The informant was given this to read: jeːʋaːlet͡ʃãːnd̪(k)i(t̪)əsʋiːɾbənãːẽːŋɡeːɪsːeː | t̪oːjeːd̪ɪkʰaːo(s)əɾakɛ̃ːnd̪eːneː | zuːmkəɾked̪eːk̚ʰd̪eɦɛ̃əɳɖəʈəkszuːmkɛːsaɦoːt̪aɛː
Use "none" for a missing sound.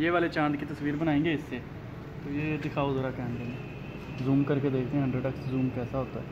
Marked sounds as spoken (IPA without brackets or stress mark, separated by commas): k, t̪, z